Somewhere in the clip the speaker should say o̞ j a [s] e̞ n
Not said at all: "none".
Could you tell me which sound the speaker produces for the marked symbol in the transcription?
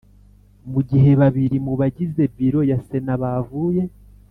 s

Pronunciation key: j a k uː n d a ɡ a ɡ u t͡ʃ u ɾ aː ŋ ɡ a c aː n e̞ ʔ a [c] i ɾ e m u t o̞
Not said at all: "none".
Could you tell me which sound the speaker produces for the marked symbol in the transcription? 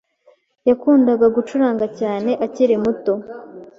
c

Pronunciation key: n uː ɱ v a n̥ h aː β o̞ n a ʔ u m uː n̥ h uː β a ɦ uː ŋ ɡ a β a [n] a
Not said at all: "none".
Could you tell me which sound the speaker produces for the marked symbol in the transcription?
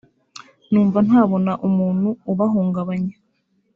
ɲ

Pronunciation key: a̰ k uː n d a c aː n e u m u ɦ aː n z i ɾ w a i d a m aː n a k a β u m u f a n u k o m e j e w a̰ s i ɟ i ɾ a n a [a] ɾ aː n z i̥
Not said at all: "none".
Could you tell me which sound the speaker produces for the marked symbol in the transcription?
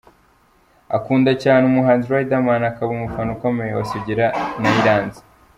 i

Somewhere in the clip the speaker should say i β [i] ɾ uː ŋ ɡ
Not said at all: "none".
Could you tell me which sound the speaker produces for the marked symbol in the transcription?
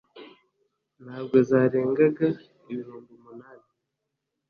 i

